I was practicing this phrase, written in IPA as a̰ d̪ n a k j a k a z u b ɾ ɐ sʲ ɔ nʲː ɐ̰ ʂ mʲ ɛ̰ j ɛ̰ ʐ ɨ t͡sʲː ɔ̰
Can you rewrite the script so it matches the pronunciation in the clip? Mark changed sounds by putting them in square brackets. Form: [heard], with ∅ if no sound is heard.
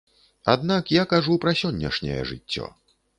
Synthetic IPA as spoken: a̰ d̪ n a k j a k a [ʐ] u [p] ɾ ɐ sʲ ɔ nʲː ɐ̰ ʂ [nʲ] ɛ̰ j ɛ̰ ʐ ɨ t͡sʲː ɔ̰

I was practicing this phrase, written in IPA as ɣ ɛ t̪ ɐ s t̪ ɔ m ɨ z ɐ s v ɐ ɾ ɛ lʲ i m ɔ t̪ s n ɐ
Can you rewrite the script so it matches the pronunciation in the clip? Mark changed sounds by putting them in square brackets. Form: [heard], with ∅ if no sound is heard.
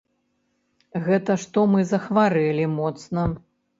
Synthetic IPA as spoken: ɣ ɛ t̪ ɐ [ʂ] t̪ ɔ m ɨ z ɐ [x] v [a] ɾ ɛ lʲ i m ɔ t̪ s n ɐ

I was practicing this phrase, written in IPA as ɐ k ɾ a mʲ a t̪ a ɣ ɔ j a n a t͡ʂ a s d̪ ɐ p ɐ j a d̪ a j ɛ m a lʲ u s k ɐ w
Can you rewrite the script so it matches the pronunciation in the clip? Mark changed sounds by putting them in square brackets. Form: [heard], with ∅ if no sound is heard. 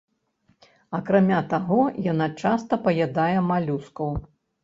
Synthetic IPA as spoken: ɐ k ɾ a mʲ a t̪ a ɣ ɔ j a n a t͡ʂ a s [t̪] ɐ p ɐ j a d̪ a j ɛ m a lʲ u s k ɐ w

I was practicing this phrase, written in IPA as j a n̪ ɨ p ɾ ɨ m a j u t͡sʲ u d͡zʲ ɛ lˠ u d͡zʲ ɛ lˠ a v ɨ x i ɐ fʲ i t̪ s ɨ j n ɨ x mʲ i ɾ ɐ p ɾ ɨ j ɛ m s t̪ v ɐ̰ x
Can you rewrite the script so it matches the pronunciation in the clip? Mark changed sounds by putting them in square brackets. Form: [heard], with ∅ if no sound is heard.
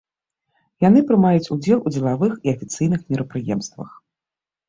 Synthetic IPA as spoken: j a n̪ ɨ p ɾ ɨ m a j u t͡sʲ u d͡zʲ ɛ lˠ u d͡zʲ ɛ lˠ a v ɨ x i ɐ fʲ i t̪ s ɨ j n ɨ x mʲ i ɾ ɐ p ɾ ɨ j ɛ m s t̪ v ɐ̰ x

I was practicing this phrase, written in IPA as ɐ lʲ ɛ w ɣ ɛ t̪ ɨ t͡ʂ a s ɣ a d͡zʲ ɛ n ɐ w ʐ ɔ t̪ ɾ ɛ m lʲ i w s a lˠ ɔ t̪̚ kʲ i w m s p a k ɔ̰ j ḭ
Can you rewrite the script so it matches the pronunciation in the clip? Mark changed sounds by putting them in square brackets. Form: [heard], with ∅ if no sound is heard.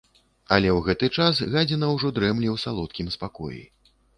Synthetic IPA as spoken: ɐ lʲ ɛ w ɣ ɛ t̪ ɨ t͡ʂ a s ɣ a d͡zʲ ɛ n ɐ w ʐ ɔ [d̪] ɾ ɛ m lʲ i w s a lˠ ɔ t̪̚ kʲ i [∅] m s p a k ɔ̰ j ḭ

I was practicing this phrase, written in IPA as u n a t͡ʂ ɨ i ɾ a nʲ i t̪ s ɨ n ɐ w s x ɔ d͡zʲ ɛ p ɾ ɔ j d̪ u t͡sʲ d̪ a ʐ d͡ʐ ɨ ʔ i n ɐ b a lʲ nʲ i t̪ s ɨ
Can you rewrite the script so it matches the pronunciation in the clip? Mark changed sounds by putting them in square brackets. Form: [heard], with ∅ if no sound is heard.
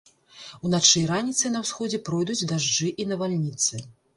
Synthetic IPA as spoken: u n a t͡ʂ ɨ [j] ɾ a nʲ i t̪ s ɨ n ɐ w s x ɔ d͡zʲ ɛ p ɾ ɔ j d̪ u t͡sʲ d̪ a ʐ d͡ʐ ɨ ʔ i n ɐ [v] a lʲ nʲ i t̪ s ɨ

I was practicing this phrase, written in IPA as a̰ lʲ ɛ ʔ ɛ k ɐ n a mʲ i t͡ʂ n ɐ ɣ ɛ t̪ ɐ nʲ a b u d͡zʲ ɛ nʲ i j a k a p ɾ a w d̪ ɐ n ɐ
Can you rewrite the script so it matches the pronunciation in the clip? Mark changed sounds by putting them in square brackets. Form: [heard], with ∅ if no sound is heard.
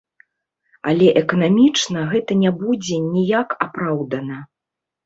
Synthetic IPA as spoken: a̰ lʲ ɛ ʔ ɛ k ɐ n a mʲ i t͡ʂ n ɐ ɣ ɛ t̪ ɐ nʲ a b u d͡zʲ ɛ nʲ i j a k a p ɾ a w d̪ ɐ n ɐ

